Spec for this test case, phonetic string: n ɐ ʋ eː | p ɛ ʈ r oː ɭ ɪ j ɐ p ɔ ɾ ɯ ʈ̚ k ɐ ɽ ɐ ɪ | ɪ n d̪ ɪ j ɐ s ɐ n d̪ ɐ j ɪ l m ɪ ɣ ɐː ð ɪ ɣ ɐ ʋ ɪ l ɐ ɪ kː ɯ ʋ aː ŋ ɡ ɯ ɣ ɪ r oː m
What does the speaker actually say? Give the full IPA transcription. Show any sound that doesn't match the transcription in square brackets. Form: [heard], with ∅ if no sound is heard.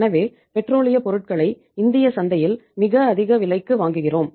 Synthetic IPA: n ɐ ʋ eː | p ɛ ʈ r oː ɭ ɪ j ɐ p ɔ ɾ ɯ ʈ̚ k ɐ [ɭ] ɐ ɪ | ɪ n d̪ ɪ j ɐ s ɐ n d̪ ɐ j ɪ l m ɪ ɣ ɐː ð ɪ ɣ ɐ ʋ ɪ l ɐ ɪ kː ɯ ʋ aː ŋ ɡ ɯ ɣ ɪ r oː m